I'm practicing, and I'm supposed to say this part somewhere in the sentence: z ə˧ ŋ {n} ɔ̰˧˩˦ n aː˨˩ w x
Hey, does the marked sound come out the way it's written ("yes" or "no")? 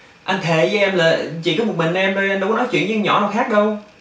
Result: no